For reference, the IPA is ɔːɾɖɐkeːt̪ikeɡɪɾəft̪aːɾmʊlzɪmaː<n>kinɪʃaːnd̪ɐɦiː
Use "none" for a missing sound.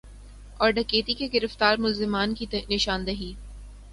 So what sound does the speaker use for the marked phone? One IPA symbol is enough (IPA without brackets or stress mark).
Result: n